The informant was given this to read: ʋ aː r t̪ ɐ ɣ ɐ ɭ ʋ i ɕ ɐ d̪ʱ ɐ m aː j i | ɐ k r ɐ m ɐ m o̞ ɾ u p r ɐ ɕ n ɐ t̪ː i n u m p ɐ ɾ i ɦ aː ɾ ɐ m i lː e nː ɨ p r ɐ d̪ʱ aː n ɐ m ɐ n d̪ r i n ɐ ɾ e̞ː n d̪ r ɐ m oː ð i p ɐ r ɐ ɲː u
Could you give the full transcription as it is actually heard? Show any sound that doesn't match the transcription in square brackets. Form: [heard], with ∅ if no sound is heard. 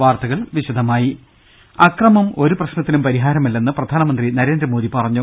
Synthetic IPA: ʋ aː r t̪ ɐ ɣ ɐ ɭ ʋ i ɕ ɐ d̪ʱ ɐ m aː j i | ɐ k r ɐ m ɐ m o̞ ɾ u p r ɐ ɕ n ɐ t̪ː i n u m p ɐ ɾ i ɦ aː ɾ ɐ m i lː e nː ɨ p r ɐ d̪ʱ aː n ɐ m ɐ n d̪ r i n ɐ ɾ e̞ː n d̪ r ɐ m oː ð i p ɐ r ɐ ɲː u